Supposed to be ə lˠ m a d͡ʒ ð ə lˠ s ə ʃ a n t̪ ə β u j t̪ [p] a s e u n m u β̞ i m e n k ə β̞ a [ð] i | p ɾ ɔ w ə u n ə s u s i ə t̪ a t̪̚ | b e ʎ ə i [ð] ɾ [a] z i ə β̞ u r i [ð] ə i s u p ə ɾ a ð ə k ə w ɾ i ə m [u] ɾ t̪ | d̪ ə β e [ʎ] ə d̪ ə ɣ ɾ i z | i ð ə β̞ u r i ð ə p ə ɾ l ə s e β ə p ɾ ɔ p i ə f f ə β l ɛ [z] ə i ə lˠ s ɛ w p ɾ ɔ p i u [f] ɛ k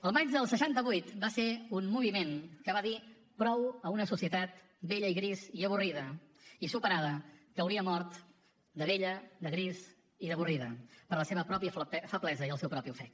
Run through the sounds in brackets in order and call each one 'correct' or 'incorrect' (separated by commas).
incorrect, correct, incorrect, incorrect, correct, incorrect, correct, correct, correct